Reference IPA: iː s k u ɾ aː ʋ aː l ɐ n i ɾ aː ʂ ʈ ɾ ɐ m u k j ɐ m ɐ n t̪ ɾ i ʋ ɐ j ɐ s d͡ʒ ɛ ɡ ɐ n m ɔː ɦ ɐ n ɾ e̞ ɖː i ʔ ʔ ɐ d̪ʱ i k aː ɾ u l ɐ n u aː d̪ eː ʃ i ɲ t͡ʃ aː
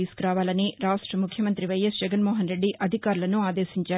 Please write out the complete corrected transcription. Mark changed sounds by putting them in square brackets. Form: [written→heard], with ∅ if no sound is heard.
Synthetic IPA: iː s k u ɾ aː ʋ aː l ɐ n i ɾ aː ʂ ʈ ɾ ɐ m u [k→kʰ] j ɐ m ɐ n t̪ ɾ i ʋ ɐ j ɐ s d͡ʒ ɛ ɡ ɐ n m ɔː ɦ ɐ n ɾ e̞ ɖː i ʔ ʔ ɐ d̪ʱ i k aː ɾ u l ɐ n u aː d̪ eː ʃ i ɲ t͡ʃ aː